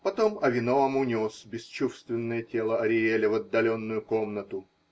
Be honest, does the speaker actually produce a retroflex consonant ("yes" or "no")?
no